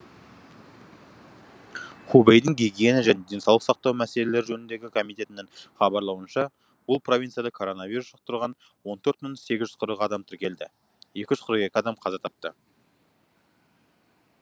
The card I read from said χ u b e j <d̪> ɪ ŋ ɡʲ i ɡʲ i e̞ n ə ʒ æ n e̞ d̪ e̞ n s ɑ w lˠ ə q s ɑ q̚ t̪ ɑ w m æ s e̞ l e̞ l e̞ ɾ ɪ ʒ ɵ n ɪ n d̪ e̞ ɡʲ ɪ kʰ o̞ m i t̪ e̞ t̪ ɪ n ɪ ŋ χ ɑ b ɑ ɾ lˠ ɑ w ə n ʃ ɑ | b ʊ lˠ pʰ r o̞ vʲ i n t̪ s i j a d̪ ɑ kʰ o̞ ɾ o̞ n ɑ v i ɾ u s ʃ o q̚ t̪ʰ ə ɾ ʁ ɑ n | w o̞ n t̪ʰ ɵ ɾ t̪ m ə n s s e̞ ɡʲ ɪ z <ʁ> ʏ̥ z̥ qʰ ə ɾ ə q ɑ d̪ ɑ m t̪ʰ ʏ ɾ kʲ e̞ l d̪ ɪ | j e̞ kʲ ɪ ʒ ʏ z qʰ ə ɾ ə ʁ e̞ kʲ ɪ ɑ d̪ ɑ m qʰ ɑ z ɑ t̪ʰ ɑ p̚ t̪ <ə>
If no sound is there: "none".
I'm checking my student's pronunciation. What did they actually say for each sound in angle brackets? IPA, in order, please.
d̪, ʒ, ə

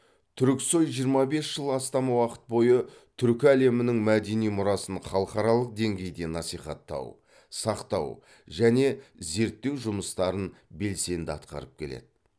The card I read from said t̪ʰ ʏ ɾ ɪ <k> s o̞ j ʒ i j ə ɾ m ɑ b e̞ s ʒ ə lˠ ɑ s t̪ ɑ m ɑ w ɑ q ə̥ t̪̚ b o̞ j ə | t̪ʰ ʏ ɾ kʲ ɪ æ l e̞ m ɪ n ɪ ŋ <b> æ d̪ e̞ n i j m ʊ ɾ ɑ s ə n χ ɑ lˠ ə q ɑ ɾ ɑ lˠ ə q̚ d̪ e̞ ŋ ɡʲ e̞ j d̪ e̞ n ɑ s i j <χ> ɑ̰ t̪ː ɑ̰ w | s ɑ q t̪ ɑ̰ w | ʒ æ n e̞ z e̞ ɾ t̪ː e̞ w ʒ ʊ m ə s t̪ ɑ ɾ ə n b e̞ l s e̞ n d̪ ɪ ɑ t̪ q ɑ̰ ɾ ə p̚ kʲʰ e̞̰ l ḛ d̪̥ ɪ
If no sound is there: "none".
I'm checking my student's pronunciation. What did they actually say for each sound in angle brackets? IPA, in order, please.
k, m, χ

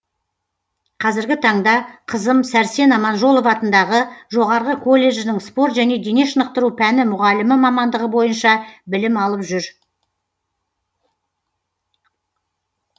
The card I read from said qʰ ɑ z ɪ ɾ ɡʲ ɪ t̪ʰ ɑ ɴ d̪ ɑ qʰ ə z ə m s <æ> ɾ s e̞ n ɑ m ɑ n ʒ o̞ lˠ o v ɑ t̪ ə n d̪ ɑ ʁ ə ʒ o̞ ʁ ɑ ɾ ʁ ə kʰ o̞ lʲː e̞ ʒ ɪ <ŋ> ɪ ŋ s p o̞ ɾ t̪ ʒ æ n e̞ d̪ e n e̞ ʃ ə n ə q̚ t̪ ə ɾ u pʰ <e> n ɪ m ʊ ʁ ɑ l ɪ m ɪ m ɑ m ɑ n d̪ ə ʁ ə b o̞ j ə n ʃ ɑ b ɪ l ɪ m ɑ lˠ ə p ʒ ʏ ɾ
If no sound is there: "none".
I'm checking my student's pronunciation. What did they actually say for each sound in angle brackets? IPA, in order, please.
æ, n, æ

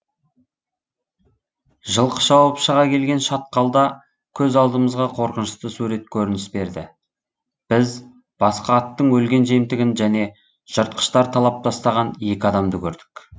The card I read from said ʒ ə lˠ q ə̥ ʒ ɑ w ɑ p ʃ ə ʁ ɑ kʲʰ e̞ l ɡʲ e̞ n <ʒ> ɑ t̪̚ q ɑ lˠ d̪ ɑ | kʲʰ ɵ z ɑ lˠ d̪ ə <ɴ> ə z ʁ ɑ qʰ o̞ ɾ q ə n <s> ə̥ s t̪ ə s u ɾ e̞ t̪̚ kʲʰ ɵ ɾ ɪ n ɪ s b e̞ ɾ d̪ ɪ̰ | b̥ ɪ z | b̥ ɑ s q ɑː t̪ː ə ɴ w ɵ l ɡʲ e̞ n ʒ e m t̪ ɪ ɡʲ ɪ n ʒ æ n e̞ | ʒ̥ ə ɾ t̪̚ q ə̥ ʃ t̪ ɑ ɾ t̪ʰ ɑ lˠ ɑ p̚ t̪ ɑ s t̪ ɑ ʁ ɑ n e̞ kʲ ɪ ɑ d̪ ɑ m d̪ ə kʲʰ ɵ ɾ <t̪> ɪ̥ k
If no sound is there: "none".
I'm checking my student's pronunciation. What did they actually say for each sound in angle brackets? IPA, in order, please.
ʃ, m, ʃ, d̪

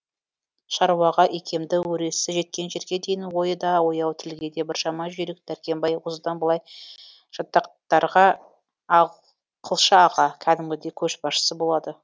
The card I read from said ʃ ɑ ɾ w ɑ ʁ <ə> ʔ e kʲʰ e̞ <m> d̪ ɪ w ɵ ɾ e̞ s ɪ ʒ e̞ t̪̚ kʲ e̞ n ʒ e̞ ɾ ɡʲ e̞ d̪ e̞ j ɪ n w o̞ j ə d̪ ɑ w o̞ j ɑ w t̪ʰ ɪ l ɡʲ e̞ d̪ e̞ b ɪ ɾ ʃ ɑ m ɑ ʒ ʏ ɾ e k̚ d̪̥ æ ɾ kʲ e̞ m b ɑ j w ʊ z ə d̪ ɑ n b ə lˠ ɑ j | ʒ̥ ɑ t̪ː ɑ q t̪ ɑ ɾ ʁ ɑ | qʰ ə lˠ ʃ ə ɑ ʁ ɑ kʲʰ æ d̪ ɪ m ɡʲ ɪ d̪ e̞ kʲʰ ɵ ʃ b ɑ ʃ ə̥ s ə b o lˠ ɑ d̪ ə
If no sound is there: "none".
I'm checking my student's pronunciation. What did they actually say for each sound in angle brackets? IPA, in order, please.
ɑ, m

